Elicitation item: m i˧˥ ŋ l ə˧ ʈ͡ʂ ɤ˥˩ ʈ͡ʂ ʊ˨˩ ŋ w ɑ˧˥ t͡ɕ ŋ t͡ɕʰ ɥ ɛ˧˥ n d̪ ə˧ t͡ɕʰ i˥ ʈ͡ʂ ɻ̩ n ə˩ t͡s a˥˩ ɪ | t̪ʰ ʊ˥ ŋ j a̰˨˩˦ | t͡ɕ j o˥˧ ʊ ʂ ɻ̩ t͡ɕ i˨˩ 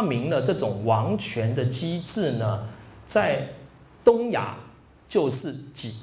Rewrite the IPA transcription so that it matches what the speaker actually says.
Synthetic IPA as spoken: m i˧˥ ŋ l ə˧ ʈ͡ʂ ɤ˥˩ ʈ͡ʂ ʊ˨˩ ŋ w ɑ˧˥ ŋ t͡ɕʰ ɥ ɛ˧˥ n d̪ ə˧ t͡ɕ i˥ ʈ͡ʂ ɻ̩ n ə˩ t͡s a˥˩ ɪ | t̪ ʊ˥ ŋ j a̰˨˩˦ | t͡ɕ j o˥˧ ʊ ʂ ɻ̩ t͡ɕ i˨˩